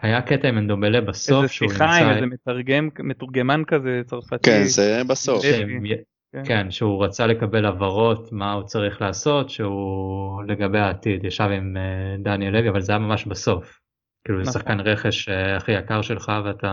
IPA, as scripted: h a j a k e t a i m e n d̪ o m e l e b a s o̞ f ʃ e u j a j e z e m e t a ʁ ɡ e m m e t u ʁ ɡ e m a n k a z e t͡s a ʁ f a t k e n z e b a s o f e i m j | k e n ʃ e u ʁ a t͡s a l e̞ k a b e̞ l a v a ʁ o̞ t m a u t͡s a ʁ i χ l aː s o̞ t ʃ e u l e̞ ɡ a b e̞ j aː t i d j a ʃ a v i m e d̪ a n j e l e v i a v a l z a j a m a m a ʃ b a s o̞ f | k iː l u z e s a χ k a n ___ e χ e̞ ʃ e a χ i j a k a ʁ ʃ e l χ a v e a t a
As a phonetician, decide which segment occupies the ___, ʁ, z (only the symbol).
ʁ